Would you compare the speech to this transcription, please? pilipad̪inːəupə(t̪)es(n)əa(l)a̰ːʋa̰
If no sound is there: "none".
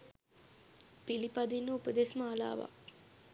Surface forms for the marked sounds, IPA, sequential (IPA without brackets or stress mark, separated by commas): d̪, m, l